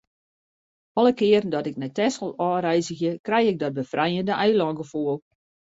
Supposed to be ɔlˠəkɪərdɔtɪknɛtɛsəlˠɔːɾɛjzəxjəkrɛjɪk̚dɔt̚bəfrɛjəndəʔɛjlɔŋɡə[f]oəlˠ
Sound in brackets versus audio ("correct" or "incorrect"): correct